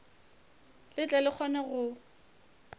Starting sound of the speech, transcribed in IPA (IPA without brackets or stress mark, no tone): l